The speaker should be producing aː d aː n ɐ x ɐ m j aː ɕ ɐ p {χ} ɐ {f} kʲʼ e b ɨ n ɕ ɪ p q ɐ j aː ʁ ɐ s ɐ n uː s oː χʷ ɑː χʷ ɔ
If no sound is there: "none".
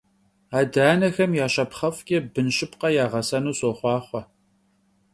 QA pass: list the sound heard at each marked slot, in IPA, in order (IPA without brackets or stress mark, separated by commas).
χ, f